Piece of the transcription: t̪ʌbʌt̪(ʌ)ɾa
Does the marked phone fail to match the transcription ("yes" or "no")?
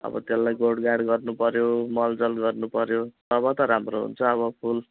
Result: no